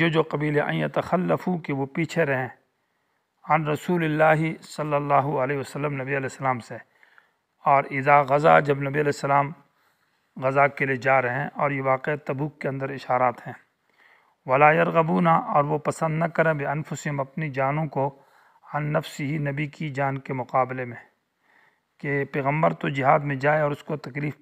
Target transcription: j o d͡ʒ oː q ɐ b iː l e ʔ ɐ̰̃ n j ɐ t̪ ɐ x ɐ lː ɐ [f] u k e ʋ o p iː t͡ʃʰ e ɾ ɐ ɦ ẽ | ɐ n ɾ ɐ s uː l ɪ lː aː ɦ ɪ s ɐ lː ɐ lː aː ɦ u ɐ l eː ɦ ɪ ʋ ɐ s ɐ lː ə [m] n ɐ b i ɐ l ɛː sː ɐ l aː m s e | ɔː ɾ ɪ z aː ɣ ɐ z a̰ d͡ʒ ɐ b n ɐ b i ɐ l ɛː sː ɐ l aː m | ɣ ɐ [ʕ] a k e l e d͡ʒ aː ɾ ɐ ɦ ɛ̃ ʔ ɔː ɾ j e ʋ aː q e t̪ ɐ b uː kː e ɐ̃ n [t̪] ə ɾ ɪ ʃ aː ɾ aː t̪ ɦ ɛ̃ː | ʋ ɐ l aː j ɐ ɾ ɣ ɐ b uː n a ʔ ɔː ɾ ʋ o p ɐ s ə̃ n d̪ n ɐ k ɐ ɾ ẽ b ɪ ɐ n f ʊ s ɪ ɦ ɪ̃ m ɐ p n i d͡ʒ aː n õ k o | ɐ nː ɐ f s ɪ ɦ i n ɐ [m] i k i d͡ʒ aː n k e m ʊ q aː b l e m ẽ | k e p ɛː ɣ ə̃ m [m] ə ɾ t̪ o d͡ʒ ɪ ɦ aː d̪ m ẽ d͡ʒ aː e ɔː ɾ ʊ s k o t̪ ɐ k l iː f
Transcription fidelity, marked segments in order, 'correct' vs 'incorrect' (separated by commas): correct, correct, incorrect, incorrect, incorrect, incorrect